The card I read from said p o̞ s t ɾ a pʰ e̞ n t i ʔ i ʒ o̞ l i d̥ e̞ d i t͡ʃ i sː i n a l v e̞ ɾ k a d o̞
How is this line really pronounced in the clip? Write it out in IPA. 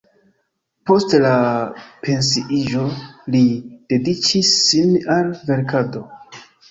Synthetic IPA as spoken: p o̞ s t l a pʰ e̞ n s i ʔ i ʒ o̞ l i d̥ e̞ d i t͡ʃ i sː i n a l v e̞ ɾ k a d o̞

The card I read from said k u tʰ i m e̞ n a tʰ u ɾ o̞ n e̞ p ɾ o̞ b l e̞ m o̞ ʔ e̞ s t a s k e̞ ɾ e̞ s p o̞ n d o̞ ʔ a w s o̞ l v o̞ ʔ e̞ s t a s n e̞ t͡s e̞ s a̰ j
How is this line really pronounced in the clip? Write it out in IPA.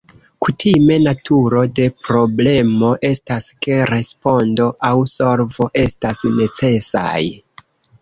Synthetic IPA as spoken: k u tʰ i m e̞ n a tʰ u ɾ o̞ d e̞ p ɾ o̞ b l e̞ m o̞ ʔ e̞ s t a s k e̞ ɾ e̞ s p o̞ n d o̞ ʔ a w s o̞ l v o̞ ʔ e̞ s t a s n e̞ t͡s e̞ s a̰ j

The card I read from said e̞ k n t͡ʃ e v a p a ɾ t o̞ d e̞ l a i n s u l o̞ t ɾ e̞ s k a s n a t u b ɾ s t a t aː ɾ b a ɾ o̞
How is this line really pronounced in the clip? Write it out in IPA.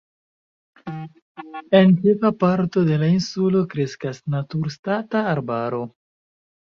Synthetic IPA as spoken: e̞ n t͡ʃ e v a p a ɾ t o̞ d e̞ l a i n s u l o̞ k ɾ e̞ s k a s n a t u ɾ s t a t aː ɾ b a ɾ o̞

